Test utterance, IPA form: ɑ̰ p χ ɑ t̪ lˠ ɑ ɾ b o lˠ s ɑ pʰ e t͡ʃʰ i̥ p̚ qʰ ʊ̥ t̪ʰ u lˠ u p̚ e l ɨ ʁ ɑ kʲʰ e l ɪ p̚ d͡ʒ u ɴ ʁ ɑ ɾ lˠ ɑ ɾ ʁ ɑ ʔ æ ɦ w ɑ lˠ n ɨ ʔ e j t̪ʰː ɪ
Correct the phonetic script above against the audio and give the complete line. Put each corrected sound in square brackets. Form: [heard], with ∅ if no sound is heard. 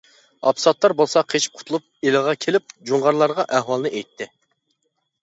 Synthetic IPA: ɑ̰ p [s] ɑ t̪ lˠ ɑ ɾ b o lˠ s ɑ [qʰ] e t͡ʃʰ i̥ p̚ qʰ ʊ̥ t̪ʰ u lˠ u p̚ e l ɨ ʁ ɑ kʲʰ e l ɪ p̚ d͡ʒ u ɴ ʁ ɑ ɾ lˠ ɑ ɾ ʁ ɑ ʔ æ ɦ w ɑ lˠ n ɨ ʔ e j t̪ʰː ɪ